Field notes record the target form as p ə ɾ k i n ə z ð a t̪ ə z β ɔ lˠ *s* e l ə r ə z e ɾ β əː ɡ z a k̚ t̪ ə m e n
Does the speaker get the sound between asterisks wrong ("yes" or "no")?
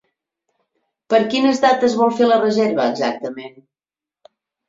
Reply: yes